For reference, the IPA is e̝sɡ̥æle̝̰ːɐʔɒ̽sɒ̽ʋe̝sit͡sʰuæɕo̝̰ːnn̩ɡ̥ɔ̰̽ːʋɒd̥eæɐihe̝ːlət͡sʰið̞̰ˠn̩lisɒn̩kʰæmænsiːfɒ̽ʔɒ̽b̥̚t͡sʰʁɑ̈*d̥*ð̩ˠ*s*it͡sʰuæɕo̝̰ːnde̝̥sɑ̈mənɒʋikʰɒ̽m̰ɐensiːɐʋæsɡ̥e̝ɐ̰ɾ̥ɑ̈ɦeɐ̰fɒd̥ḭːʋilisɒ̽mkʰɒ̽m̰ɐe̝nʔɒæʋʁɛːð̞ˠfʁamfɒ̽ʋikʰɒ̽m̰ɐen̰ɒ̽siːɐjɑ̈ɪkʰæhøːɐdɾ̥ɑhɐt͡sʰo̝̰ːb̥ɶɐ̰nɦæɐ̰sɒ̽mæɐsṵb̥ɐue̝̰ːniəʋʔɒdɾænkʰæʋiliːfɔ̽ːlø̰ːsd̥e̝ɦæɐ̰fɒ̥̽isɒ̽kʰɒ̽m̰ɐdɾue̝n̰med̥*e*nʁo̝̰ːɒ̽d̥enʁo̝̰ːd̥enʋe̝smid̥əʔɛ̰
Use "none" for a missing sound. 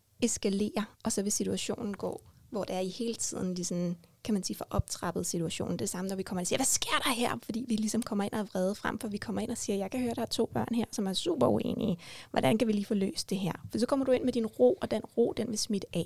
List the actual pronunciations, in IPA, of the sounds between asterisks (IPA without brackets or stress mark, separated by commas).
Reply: b̥, s, i